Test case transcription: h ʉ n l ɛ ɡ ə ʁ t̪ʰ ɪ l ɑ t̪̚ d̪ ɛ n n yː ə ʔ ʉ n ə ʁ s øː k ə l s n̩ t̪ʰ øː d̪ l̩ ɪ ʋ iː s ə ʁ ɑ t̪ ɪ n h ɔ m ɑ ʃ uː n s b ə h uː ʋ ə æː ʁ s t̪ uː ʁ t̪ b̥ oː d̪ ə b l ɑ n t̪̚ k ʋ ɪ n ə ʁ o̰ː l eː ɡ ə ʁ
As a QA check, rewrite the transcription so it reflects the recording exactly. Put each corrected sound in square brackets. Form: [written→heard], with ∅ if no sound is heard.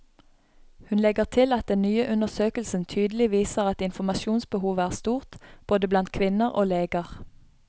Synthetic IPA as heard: h ʉ n l ɛ ɡ ə ʁ t̪ʰ ɪ l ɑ t̪̚ d̪ ɛ n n yː ə ʔ ʉ n ə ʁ s øː k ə l s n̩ t̪ʰ [øː→yː] d̪ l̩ ɪ ʋ iː s ə ʁ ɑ t̪ ɪ n [h→f] ɔ m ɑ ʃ uː n s b ə h uː ʋ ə æː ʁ s t̪ uː ʁ t̪ b̥ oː d̪ ə b l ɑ n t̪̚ [k→kʰ] ʋ ɪ n ə ʁ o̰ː l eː ɡ ə ʁ